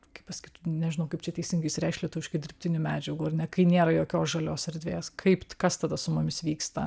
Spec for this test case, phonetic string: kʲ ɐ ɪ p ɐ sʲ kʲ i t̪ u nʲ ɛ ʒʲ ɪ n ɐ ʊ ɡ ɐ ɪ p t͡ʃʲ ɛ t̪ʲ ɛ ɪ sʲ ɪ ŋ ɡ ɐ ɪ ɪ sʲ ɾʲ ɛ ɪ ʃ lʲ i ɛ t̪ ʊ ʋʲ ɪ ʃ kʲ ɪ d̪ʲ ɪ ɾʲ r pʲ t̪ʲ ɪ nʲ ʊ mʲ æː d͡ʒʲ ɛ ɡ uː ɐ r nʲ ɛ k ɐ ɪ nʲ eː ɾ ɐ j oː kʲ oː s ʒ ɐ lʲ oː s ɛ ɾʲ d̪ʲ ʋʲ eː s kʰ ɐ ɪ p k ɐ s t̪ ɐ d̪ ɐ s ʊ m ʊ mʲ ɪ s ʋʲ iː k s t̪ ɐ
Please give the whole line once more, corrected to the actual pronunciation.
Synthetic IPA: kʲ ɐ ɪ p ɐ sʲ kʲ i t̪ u nʲ ɛ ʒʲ ɪ n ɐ ʊ k ɐ ɪ p t͡ʃʲ ɛ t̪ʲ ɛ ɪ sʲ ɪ ŋ ɡ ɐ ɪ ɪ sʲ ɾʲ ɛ ɪ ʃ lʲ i ɛ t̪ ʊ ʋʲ ɪ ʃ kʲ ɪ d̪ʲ ɪ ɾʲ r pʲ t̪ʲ ɪ nʲ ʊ mʲ æː d͡ʒʲ ɛ ɡ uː ɐ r nʲ ɛ k ɐ ɪ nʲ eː ɾ ɐ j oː kʲ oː s ʒ ɐ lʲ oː s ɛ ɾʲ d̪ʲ ʋʲ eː s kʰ ɐ ɪ p k ɐ s t̪ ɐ d̪ ɐ s ʊ m ʊ mʲ ɪ s ʋʲ iː k s t̪ ɐ